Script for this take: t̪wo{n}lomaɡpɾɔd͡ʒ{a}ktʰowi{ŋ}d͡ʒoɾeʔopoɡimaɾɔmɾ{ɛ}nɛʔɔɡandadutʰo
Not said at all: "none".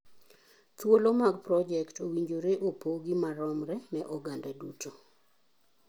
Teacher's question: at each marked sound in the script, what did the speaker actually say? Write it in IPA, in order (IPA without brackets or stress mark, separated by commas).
none, ɛ, ɲ, ɛ